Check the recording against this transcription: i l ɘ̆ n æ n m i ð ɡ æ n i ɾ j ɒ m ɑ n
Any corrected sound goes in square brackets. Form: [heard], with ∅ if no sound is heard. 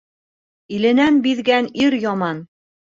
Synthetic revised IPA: i l ɘ̆ n æ n [b] i ð ɡ æ n i ɾ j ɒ m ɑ n